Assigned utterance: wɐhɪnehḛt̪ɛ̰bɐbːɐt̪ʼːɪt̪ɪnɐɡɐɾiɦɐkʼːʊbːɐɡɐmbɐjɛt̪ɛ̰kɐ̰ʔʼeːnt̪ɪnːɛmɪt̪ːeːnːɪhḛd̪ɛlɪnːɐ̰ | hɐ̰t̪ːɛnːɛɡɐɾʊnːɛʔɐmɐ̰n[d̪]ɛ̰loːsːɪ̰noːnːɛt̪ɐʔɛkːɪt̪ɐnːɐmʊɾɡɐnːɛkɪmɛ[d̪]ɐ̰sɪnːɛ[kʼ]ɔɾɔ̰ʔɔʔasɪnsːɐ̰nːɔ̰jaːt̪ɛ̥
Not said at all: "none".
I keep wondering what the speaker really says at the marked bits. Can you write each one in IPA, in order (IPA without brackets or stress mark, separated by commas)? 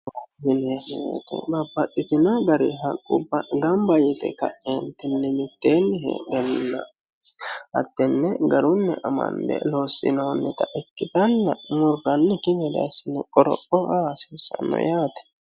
d̪, d̪, kʼ